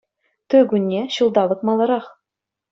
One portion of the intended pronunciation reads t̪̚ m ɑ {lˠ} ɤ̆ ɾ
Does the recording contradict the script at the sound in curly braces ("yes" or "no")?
no